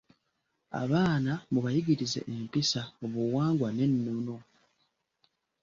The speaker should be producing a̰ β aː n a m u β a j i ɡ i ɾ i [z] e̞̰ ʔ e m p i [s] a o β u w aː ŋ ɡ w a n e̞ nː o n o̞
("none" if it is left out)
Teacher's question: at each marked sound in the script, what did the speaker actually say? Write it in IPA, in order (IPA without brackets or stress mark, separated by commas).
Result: z, s